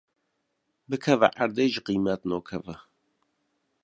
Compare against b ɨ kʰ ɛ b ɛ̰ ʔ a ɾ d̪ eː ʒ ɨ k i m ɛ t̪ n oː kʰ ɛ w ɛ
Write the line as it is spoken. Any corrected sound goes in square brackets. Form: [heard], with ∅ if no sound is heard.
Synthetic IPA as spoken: b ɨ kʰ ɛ [v] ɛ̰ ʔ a ɾ d̪ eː ʒ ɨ [q] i m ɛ t̪ n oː kʰ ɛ [v] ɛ